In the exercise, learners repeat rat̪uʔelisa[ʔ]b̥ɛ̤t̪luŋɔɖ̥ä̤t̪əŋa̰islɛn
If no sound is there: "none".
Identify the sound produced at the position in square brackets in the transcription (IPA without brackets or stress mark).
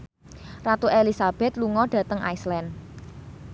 none